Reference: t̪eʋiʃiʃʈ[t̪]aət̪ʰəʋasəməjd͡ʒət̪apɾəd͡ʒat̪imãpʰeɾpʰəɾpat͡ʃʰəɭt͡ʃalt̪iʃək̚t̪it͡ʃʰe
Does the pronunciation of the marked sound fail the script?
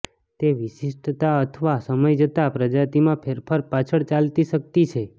no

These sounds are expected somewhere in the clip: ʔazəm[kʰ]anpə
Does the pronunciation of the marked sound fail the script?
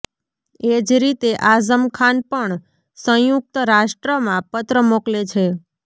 no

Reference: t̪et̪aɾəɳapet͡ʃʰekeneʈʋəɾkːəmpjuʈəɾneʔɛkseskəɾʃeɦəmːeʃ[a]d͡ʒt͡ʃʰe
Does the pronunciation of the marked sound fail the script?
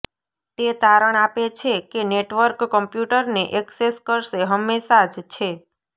no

